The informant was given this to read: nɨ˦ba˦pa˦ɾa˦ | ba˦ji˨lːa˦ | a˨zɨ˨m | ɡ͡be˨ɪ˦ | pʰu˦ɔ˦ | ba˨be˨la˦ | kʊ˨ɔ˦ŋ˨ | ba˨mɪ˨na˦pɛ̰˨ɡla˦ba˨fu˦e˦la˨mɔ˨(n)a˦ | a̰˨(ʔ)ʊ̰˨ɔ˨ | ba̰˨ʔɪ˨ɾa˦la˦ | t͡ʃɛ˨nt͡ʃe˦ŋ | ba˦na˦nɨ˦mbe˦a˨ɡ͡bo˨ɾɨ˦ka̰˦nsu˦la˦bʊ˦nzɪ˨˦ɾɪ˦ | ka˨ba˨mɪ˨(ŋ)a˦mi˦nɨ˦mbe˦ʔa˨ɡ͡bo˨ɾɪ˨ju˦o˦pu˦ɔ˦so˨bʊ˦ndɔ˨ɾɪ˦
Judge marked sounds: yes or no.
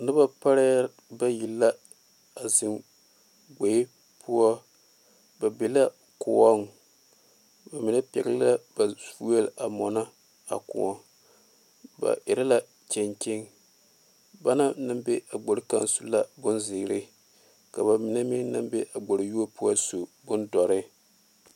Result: yes, no, no

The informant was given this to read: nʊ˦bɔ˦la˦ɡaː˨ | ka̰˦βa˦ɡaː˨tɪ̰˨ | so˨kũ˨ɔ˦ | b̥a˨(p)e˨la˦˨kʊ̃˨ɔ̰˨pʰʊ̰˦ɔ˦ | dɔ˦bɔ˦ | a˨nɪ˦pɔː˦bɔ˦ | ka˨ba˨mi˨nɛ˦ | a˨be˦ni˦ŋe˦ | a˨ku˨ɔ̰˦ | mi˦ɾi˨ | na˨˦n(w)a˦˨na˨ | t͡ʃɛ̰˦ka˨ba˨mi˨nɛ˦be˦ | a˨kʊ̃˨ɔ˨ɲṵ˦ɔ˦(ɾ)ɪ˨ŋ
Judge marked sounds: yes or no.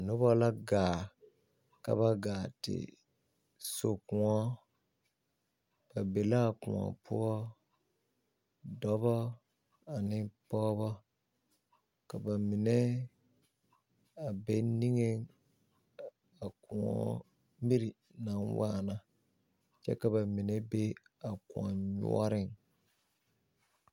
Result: no, yes, yes

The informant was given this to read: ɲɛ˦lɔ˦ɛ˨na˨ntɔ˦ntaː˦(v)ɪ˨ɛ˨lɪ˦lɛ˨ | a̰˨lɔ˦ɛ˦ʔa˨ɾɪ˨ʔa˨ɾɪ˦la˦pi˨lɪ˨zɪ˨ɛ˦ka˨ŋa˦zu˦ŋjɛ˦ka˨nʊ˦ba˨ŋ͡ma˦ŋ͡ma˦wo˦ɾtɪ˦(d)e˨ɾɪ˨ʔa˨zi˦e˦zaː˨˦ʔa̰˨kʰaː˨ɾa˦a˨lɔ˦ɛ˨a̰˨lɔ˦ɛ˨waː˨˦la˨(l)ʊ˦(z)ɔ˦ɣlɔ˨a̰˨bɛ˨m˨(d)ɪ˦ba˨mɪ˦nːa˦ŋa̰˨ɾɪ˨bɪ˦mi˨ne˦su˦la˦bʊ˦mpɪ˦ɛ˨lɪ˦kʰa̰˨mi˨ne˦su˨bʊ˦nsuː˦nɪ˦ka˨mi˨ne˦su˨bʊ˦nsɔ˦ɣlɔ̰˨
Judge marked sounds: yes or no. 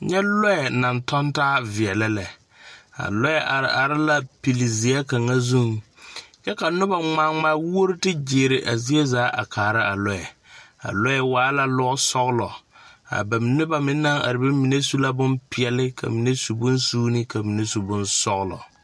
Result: yes, no, yes, no, no

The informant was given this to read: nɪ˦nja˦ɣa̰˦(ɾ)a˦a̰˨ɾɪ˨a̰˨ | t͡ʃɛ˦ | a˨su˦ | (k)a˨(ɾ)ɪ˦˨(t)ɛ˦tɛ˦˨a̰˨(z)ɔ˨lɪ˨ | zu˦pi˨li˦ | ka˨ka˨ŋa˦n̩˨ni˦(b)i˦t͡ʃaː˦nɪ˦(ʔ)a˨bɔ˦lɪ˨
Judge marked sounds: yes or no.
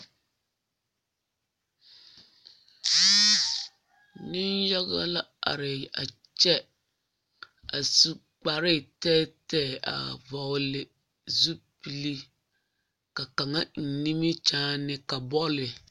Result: no, no, yes, yes, no, no, no

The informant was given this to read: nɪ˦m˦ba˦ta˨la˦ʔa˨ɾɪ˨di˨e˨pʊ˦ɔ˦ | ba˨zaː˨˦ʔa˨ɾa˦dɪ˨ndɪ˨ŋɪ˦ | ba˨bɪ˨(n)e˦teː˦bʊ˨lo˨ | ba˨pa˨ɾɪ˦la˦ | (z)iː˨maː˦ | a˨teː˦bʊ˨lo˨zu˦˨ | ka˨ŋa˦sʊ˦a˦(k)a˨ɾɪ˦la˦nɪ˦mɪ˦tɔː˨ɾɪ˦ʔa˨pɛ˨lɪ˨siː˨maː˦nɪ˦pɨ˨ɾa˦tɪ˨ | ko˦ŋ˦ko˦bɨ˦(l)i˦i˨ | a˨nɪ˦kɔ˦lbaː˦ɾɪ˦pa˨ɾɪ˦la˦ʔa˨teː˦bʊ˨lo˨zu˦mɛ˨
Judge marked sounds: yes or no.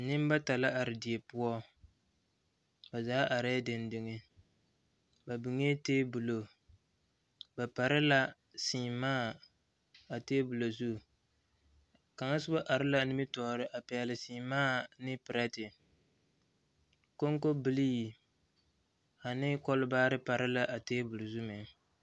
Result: no, no, no, yes

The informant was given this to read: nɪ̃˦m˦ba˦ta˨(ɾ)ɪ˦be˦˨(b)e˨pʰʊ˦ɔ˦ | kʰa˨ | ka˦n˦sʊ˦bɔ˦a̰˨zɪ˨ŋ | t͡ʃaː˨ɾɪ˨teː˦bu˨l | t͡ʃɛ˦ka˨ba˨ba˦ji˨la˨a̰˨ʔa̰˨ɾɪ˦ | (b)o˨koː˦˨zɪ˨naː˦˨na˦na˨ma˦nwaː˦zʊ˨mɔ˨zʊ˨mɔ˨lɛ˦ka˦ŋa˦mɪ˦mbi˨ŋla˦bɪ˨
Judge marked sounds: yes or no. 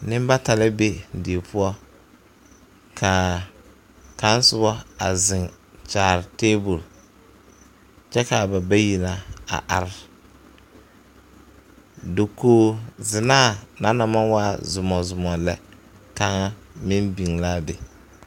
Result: no, no, no

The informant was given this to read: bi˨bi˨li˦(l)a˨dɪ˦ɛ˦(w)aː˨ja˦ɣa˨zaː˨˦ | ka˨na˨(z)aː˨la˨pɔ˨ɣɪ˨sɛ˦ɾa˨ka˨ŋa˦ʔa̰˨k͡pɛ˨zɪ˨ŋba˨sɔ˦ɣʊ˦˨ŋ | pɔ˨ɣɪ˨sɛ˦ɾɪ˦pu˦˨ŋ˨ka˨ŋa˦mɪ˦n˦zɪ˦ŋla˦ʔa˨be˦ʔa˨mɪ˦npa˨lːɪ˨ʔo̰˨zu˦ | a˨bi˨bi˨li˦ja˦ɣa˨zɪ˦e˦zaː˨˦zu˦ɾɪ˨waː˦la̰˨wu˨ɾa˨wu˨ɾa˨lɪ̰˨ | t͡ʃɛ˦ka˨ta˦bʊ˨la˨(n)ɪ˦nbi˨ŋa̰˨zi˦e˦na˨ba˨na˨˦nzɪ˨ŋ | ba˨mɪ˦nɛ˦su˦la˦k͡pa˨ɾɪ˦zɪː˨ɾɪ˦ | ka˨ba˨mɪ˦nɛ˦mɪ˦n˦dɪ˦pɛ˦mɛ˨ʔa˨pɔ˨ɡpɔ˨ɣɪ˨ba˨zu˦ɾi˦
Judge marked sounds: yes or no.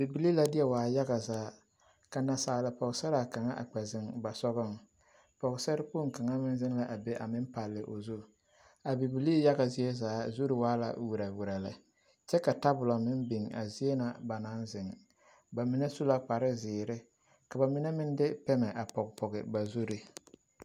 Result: yes, yes, no, no

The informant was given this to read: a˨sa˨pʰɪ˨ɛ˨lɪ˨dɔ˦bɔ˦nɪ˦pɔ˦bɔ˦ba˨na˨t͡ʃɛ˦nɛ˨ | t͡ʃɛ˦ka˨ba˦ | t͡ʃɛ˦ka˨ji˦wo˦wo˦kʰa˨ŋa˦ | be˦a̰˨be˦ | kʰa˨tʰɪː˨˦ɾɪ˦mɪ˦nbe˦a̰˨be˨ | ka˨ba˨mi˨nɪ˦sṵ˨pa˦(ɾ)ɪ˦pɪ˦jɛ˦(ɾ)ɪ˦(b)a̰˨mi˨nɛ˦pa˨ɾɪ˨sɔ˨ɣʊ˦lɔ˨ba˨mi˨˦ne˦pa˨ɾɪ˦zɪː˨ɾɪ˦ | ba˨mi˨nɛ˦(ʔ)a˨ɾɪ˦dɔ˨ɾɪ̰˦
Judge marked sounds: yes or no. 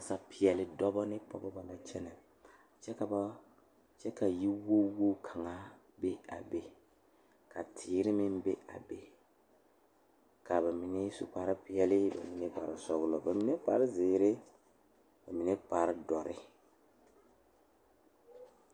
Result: yes, no, yes, no

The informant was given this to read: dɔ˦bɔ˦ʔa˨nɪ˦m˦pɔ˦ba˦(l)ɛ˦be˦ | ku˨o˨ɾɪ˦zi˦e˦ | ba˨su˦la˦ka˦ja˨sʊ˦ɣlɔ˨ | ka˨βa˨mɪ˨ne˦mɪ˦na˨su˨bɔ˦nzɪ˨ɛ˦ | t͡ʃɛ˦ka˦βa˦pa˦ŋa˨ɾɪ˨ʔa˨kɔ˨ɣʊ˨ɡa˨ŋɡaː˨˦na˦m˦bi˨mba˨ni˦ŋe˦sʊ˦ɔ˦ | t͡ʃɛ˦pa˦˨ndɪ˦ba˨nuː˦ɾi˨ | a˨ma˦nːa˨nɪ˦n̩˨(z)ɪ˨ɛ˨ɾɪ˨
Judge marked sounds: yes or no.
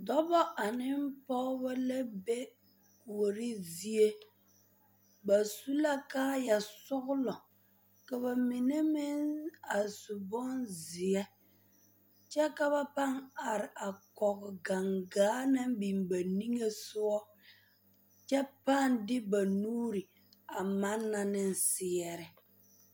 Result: yes, no

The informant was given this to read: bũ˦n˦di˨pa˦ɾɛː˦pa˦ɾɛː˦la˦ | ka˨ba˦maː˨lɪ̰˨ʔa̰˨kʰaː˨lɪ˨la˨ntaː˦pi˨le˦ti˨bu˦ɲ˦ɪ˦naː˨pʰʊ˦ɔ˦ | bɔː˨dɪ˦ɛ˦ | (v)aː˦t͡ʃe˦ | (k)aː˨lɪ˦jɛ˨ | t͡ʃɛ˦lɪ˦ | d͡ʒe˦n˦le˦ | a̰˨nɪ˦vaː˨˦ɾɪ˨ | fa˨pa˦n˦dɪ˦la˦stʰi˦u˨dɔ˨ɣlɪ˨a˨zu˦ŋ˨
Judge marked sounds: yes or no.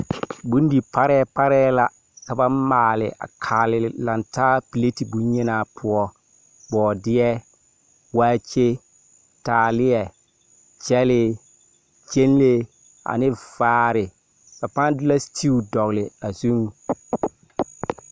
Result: no, no

